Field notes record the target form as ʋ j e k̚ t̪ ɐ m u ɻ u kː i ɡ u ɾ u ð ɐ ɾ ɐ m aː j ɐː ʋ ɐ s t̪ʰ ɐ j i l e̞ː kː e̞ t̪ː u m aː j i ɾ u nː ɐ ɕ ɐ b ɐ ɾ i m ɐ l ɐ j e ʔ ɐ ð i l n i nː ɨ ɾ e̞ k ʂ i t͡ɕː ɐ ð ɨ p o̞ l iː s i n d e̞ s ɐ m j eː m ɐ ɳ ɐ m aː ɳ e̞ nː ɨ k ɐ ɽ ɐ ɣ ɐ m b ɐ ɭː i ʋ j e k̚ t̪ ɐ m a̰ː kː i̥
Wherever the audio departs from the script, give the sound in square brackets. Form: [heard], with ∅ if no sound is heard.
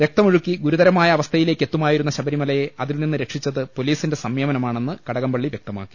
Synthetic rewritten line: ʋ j e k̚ t̪ ɐ m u ɻ u kː i ɡ u ɾ u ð ɐ ɾ ɐ m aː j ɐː ʋ ɐ s t̪ʰ ɐ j i l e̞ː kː e̞ t̪ː u m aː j i ɾ u nː ɐ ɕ ɐ b ɐ ɾ i m ɐ l ɐ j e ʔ ɐ ð i l n i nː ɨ ɾ e̞ k ʂ i t͡ɕː ɐ ð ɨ p o̞ l iː s i n d e̞ s ɐ m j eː m ɐ [n] ɐ m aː ɳ e̞ nː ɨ k ɐ ɽ ɐ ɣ ɐ m b ɐ ɭː i ʋ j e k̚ t̪ ɐ m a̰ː kː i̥